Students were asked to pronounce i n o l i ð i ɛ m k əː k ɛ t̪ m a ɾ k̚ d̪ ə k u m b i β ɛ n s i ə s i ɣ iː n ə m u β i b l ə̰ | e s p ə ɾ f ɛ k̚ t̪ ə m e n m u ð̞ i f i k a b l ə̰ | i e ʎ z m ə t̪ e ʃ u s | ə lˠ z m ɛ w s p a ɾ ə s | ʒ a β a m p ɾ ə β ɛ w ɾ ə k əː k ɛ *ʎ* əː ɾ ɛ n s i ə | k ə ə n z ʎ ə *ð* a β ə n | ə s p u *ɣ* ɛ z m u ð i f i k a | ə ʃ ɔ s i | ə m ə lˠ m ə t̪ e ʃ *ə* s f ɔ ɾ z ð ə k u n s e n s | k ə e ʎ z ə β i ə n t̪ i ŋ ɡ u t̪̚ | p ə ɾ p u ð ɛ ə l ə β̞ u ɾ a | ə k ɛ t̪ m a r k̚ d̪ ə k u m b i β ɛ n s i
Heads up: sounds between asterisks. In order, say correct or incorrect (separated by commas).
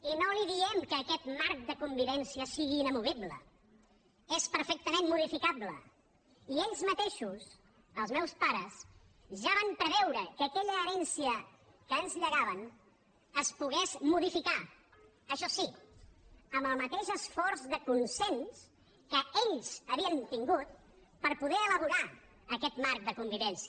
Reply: correct, incorrect, correct, correct